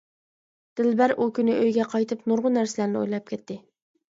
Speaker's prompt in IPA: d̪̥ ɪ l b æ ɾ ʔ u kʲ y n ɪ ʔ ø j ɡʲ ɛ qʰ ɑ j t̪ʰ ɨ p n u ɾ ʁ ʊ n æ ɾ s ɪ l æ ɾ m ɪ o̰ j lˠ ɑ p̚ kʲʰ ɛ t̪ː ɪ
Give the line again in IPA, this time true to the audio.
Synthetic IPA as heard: d̪̥ ɪ l b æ ɾ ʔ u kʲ y n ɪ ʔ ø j ɡʲ ɛ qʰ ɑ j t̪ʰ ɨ p n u ɾ ʁ ʊ n æ ɾ s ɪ l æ ɾ n ɪ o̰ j lˠ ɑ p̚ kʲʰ ɛ t̪ː ɪ